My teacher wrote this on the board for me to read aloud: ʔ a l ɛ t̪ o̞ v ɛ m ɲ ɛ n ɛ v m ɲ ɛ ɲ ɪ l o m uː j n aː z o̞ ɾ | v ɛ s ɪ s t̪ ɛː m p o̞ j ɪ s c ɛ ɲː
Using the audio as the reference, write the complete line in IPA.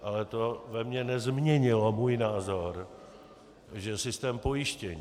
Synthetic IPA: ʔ a l ɛ t̪ o̞ v ɛ m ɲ ɛ n ɛ z m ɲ ɛ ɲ ɪ l o m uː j n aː z o̞ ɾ | ʒ ɛ s ɪ s t̪ ɛː m p o̞ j ɪ ʃ c ɛ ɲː